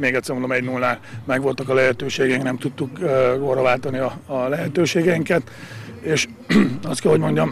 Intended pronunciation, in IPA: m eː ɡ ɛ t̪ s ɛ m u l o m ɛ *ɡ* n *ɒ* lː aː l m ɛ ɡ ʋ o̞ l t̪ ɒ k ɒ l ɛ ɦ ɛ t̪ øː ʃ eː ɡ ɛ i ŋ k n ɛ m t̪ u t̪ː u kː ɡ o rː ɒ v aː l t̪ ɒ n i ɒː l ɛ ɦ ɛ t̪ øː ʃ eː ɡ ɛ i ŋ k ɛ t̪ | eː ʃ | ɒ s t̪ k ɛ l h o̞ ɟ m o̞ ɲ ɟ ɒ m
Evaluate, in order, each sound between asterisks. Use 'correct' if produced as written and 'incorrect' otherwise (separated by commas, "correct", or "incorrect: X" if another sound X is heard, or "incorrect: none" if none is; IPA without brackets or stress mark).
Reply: incorrect: ɟ, incorrect: u